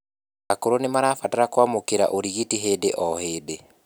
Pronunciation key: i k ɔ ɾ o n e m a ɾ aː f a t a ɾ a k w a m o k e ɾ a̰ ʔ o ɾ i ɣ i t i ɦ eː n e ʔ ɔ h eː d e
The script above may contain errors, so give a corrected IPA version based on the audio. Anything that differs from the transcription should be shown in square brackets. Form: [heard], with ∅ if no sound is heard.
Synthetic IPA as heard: [a] k [o] ɾ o n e m a ɾ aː f a t a ɾ a k w a m o k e ɾ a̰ ʔ o ɾ i ɣ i t i ɦ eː [d] e ʔ ɔ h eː d e

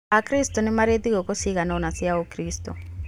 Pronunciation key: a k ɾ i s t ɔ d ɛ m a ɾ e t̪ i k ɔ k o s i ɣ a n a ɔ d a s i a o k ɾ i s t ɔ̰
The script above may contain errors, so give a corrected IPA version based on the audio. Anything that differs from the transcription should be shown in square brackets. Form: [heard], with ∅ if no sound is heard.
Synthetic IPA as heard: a k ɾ i s t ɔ [n] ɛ m a ɾ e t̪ i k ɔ k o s i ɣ a n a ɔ [n] a s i a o k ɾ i s t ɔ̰

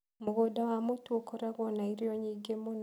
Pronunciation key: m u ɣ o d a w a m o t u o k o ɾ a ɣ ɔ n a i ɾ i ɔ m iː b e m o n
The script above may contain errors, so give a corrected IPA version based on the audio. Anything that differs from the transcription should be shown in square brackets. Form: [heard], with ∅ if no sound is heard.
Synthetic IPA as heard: m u ɣ o d a w a m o t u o k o ɾ a ɣ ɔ n a i ɾ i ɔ [ɲ] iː [ɡ] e m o n

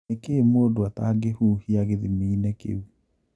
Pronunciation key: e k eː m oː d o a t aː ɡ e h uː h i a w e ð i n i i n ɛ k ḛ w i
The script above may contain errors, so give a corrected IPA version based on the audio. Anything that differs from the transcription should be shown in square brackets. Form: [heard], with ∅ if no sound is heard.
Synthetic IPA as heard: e k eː m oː d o a t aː ɡ e h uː h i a [ɣ] e ð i [m] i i n ɛ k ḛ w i

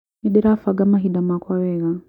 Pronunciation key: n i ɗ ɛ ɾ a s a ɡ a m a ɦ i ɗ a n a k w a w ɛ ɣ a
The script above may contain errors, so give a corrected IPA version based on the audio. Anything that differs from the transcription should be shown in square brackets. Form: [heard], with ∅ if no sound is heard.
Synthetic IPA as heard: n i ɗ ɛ ɾ a [f] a ɡ a m a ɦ i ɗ a [m] a k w a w ɛ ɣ a

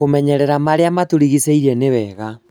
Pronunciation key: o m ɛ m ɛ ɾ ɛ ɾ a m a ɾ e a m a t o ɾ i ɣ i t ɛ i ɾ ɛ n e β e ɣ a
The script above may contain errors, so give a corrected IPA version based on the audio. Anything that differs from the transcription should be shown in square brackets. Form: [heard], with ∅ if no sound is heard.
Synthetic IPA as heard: o m ɛ [ɲ] ɛ ɾ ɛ ɾ a m a ɾ e a m a t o ɾ i ɣ i [s] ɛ i ɾ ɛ n e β [ɛ] ɣ a

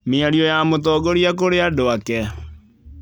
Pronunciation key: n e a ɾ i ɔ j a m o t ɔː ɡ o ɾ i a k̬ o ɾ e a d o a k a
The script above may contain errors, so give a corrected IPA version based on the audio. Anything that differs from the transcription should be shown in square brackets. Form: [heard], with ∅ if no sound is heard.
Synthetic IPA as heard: [m] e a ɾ i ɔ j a m o t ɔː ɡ o ɾ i a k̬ o ɾ e a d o a k [ɛ]

